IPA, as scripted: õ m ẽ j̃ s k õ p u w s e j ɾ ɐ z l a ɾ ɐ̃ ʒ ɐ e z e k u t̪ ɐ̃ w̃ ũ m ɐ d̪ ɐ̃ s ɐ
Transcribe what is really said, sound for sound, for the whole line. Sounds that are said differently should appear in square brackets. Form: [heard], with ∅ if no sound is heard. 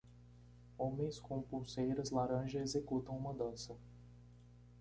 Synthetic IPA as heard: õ m ẽ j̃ s k õ p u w s e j ɾ ɐ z l a ɾ ɐ̃ ʒ ɐ e z e k u t̪ ɐ̃ w̃ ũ m ɐ d̪ ɐ̃ s ɐ